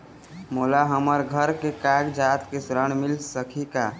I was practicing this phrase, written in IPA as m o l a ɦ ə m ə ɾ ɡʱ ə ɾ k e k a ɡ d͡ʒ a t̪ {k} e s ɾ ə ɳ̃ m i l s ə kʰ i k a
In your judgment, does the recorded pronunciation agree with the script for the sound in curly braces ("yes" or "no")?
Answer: yes